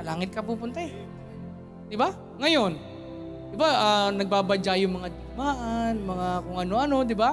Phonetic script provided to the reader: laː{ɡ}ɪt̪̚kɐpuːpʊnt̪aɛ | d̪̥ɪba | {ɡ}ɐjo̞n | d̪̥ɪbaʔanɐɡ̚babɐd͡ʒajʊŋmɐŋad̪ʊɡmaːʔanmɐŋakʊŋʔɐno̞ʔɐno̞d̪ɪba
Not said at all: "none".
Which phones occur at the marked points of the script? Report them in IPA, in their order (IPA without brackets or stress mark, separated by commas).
ŋ, ŋ